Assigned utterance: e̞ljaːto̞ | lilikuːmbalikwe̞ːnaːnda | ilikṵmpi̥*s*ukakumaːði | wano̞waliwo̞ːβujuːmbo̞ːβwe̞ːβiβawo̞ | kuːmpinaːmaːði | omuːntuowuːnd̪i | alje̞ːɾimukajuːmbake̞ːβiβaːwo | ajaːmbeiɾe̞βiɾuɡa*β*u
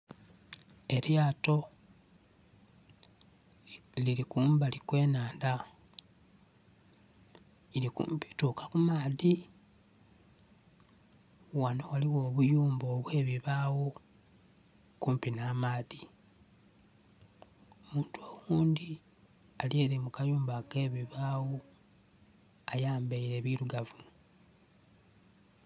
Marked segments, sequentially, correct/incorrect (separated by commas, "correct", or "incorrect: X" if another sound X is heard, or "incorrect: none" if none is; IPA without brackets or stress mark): incorrect: t, incorrect: v